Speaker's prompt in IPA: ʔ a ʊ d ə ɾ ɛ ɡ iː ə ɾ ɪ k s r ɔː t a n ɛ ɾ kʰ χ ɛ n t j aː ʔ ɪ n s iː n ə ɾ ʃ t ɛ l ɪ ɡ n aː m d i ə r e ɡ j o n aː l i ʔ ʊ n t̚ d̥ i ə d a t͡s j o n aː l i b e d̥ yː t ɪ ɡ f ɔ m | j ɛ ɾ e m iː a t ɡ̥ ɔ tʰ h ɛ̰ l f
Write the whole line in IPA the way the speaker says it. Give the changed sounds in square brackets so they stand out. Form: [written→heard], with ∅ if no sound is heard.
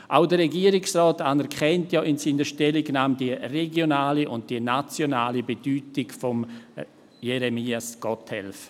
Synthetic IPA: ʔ a ʊ d ə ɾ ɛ ɡ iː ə ɾ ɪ k s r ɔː t a n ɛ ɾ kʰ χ ɛ n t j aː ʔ ɪ n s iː n ə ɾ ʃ t ɛ l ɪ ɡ n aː m d i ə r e ɡ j o n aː l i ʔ ʊ n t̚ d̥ i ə [d→n] a t͡s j o n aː l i b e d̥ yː t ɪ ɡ f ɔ m | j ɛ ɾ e m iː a [t→s] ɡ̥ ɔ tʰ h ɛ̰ l f

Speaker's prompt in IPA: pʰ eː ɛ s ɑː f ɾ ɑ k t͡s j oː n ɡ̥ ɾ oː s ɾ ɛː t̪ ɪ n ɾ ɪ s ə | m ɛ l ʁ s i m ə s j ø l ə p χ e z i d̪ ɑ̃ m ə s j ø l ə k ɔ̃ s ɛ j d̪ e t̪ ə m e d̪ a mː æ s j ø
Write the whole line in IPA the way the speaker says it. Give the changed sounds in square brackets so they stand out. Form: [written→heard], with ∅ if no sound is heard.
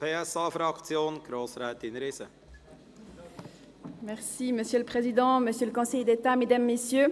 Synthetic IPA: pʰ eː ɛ s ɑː f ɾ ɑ k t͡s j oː n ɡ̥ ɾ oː s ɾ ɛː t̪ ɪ n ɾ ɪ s ə | m ɛ [l→∅] ʁ s i m ə s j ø l ə p χ e z i d̪ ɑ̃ m ə s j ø l ə k ɔ̃ s ɛ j d̪ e t̪ [ə→a] m e d̪ a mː [æ→e] s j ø

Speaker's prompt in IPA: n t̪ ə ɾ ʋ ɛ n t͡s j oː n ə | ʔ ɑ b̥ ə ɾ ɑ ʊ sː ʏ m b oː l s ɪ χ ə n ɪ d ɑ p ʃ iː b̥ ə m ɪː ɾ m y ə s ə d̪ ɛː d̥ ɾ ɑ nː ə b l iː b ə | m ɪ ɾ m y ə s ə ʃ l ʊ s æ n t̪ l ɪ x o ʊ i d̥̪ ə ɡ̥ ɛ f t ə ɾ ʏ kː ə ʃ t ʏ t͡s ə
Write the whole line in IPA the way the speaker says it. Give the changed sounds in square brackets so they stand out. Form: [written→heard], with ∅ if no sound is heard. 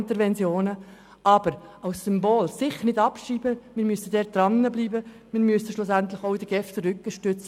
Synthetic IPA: n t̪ ə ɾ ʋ ɛ n t͡s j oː n ə | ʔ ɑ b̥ ə ɾ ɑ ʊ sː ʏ m b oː l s ɪ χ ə n ɪ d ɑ p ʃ iː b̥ ə m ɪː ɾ m y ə s ə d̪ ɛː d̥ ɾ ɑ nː ə b l iː b ə | m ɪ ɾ m y ə s ə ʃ l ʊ s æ n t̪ l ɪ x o ʊ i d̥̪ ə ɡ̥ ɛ f t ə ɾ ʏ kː ə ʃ t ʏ t͡s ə

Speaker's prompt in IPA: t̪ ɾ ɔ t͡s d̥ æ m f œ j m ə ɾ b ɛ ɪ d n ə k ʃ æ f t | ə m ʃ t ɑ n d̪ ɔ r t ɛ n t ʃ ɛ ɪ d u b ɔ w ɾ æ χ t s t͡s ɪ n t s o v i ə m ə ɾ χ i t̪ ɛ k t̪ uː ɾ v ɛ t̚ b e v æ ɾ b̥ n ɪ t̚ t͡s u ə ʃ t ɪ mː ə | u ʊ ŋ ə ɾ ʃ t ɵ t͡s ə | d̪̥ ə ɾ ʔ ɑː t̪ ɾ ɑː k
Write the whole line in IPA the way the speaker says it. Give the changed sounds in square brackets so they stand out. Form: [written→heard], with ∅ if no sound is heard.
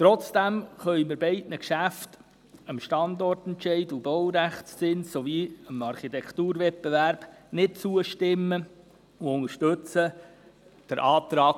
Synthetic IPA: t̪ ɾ ɔ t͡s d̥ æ m [f→χ] œ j m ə ɾ b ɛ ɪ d n ə k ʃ æ f t | ə m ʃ t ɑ n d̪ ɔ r t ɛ n t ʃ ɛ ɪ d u b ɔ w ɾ æ χ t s t͡s ɪ n [t→s] s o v i ə m [ə→ɑ] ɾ χ i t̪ ɛ k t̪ uː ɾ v ɛ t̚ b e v æ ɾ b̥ n ɪ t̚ t͡s u ə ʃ t ɪ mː ə | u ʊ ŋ ə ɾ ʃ t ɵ t͡s ə | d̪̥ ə ɾ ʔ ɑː t̪ ɾ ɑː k

